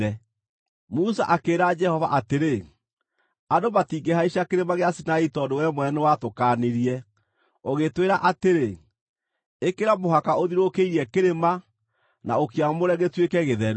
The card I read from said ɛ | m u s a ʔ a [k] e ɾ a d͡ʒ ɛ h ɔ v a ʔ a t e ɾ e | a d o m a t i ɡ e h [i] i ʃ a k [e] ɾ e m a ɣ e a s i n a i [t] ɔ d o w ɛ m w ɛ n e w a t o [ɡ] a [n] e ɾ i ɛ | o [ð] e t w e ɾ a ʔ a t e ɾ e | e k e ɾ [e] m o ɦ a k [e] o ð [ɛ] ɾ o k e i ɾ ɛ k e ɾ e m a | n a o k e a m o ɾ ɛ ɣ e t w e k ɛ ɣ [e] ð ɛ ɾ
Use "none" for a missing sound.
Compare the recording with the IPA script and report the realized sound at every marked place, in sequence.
k, a, e, t, k, n, ɣ, a, a, i, e

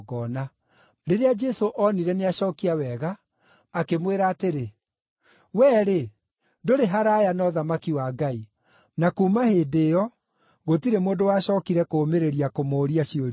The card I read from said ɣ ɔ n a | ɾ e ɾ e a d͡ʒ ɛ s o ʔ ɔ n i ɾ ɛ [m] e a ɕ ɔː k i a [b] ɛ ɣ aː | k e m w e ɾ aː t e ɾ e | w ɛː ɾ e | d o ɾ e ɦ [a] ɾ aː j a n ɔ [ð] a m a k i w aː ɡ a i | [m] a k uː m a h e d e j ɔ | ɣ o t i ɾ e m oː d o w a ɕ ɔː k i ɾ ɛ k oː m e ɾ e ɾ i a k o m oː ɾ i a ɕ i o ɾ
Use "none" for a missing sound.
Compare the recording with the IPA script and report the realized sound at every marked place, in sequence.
n, w, a, ð, n

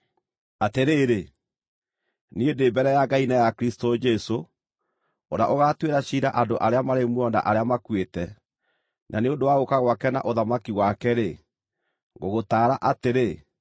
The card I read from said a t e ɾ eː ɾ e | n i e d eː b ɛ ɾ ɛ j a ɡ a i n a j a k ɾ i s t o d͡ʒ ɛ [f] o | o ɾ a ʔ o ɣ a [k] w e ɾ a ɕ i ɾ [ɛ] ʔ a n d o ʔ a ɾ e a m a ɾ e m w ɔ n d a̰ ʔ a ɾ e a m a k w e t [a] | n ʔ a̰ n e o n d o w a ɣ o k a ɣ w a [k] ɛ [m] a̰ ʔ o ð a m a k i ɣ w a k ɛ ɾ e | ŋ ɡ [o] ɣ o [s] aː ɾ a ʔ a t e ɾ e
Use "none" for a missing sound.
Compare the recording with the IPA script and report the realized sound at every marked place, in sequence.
s, t, a, ɛ, k, n, o, t

